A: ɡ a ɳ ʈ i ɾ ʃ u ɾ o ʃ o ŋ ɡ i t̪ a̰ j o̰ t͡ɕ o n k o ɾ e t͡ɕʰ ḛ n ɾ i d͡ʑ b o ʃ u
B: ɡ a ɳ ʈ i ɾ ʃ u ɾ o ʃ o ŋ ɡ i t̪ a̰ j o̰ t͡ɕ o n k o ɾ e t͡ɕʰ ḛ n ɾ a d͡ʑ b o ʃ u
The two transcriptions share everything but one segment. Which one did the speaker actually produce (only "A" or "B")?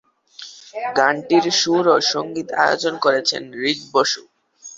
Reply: A